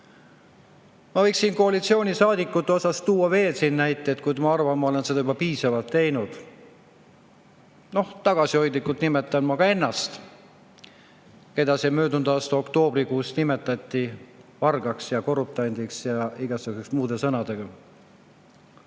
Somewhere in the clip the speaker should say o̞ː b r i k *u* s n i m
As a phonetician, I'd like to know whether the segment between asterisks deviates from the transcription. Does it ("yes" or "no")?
yes